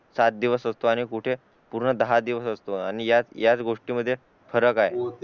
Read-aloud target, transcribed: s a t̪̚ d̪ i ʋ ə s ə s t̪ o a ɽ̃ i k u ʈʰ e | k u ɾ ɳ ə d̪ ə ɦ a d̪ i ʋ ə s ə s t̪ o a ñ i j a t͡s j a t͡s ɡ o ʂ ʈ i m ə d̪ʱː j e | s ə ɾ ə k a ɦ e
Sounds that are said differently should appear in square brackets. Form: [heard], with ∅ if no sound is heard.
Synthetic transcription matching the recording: s a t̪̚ d̪ i ʋ ə s ə s t̪ o a ɽ̃ i k u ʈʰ e | [p] u ɾ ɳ ə d̪ ə ɦ a d̪ i ʋ ə s ə s t̪ o a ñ i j a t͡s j a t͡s ɡ o ʂ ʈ i m ə d̪ʱː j e | [f] ə ɾ ə k a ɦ e